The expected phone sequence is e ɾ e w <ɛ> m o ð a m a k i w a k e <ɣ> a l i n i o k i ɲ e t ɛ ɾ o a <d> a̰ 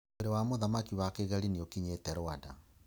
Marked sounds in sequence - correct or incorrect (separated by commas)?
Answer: incorrect, correct, correct